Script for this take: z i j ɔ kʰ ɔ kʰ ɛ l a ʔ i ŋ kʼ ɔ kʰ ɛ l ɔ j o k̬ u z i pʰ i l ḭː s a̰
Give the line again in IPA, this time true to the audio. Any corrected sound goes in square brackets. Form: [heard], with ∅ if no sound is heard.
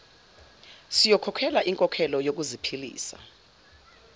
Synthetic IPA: [s] i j ɔ kʰ ɔ kʰ ɛ l a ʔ i ŋ kʼ ɔ kʰ ɛ l ɔ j o k̬ u z i pʰ i l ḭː s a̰